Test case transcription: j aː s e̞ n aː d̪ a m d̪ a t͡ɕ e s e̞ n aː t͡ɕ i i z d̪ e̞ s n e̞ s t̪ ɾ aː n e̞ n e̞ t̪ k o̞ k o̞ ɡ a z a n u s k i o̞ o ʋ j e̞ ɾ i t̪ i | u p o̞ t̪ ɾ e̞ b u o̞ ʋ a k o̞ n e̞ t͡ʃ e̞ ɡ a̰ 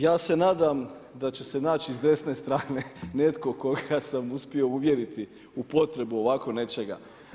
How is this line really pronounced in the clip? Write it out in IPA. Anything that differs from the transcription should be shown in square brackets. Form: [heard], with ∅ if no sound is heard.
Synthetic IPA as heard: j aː s e̞ n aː d̪ a m d̪ a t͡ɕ e s e̞ n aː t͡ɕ i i z d̪ e̞ s n e̞ s t̪ ɾ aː n e̞ n e̞ t̪ k o̞ k o̞ ɡ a [s] a [m] u s [p] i o̞ [u] ʋ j e̞ ɾ i t̪ i | u p o̞ t̪ ɾ e̞ b u o̞ ʋ a k o̞ n e̞ t͡ʃ e̞ ɡ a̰